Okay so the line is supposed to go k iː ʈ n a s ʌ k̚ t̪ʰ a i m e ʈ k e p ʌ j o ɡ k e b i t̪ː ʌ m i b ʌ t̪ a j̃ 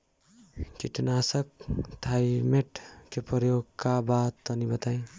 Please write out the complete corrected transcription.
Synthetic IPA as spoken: k i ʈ n a s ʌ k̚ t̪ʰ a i m e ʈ k e p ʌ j o ɡ k a b a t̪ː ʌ n i b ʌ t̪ a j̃